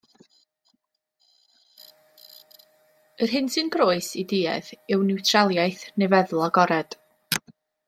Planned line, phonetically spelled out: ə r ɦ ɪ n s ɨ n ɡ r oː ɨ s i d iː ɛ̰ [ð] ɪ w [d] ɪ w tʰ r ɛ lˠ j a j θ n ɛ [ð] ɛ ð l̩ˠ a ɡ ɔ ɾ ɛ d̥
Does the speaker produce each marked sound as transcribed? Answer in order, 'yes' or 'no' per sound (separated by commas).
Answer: yes, no, no